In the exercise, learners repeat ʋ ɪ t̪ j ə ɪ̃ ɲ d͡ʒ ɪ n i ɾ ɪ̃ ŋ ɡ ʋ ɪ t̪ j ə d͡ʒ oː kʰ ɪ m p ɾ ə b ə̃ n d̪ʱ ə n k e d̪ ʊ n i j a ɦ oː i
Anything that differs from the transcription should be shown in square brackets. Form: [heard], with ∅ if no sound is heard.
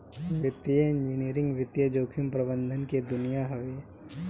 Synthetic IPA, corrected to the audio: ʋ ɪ t̪ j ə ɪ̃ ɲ d͡ʒ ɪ n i ɾ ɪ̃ ŋ ɡ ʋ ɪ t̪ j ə d͡ʒ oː kʰ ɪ m p ɾ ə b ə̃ n d̪ʱ ə n k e d̪ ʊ n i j a ɦ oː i